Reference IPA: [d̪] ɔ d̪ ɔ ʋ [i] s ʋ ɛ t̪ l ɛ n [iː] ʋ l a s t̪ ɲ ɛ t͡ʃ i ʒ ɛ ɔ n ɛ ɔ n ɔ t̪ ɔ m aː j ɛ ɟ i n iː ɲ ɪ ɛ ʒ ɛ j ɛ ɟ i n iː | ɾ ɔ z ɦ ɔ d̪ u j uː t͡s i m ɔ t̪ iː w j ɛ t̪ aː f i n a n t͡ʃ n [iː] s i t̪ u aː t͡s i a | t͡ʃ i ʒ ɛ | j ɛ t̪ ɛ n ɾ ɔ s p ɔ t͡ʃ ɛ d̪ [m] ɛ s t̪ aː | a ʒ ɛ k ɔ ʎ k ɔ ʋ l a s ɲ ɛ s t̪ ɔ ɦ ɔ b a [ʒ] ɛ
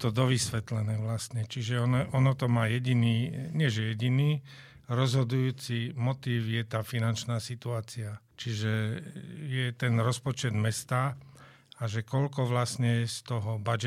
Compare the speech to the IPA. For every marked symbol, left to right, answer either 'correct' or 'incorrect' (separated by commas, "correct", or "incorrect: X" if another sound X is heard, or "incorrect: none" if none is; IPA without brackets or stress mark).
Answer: incorrect: t̪, correct, incorrect: ɛː, incorrect: aː, correct, incorrect: d͡ʒ